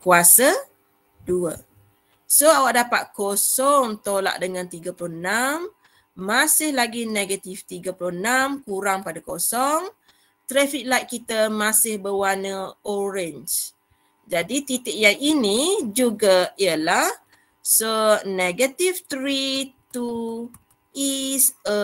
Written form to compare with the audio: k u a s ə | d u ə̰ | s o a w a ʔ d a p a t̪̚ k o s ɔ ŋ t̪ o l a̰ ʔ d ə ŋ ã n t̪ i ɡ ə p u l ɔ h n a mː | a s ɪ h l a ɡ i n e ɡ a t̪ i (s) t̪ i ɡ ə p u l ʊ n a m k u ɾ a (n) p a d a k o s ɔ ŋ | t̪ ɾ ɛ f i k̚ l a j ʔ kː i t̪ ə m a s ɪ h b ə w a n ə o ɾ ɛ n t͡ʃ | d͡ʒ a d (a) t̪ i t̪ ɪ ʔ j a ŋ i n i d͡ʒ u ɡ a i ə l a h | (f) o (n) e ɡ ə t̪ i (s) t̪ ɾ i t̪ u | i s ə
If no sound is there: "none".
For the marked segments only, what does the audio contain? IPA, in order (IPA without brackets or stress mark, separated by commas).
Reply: f, ŋ, i, s, n, f